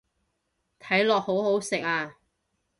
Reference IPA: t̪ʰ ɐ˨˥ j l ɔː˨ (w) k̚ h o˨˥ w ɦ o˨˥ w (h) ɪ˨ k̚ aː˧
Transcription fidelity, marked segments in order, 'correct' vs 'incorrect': incorrect, incorrect

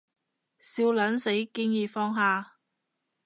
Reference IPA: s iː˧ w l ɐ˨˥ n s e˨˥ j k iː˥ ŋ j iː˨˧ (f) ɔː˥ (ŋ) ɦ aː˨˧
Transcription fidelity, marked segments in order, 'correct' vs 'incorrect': correct, correct

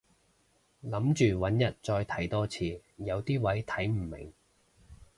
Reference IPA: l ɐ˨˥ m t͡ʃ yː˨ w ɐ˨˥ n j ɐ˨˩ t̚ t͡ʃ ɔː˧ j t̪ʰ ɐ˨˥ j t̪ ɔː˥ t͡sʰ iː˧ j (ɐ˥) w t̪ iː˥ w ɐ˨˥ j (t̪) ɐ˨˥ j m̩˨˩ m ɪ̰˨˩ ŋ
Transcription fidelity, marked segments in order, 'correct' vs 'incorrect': incorrect, incorrect

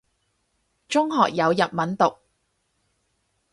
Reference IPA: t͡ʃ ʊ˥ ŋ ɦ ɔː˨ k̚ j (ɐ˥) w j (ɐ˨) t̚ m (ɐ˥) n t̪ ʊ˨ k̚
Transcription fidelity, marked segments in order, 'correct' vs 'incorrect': incorrect, correct, incorrect

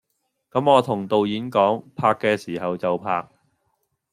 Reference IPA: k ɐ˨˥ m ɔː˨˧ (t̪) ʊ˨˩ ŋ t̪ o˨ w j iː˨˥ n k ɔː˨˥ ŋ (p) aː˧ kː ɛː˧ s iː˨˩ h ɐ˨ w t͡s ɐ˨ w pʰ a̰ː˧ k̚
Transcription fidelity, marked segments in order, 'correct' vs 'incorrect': incorrect, incorrect

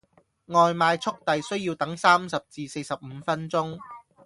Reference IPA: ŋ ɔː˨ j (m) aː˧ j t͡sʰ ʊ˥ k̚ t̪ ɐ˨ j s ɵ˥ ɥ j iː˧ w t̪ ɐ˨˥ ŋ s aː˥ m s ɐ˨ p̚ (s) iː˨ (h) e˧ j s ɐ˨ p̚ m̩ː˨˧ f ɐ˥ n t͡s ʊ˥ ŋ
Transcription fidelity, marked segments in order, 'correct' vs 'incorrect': correct, incorrect, incorrect

